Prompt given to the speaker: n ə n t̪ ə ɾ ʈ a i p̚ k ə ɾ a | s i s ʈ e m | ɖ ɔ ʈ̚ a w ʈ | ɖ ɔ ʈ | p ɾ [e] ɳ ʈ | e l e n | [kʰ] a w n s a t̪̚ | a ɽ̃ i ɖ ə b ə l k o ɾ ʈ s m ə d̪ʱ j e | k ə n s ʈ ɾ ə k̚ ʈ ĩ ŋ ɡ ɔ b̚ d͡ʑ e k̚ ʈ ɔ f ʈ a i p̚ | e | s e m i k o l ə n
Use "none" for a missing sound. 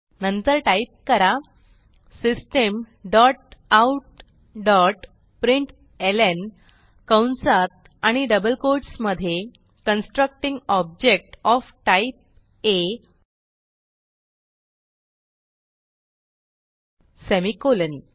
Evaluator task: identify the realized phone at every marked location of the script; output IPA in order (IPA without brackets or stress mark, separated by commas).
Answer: i, k